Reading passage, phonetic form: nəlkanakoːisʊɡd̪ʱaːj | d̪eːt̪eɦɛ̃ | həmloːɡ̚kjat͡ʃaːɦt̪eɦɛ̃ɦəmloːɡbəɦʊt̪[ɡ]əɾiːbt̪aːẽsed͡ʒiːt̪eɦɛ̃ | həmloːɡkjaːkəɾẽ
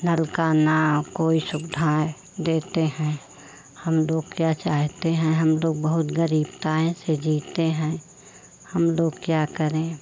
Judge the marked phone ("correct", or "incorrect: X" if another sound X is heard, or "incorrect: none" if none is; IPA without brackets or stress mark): correct